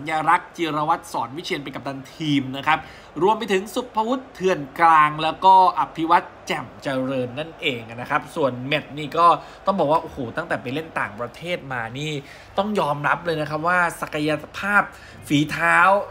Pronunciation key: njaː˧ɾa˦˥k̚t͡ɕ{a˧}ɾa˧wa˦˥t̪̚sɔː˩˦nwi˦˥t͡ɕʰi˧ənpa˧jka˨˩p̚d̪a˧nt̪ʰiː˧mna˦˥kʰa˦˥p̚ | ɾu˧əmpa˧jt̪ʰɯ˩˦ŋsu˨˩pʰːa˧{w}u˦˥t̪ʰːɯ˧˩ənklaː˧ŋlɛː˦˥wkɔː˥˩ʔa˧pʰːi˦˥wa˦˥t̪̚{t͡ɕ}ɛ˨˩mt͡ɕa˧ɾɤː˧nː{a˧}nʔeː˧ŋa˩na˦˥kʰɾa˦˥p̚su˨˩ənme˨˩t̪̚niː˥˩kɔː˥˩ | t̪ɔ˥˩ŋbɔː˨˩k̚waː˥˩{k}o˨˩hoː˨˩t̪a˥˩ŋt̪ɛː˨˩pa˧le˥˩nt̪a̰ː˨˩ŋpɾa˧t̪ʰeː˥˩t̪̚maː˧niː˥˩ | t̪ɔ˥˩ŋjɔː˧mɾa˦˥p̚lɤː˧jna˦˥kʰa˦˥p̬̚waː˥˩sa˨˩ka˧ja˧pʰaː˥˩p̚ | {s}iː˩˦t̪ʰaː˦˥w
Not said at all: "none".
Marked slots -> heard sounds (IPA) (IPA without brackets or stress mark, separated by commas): i˧, w, t͡ɕ, a˥˩, ʔ, f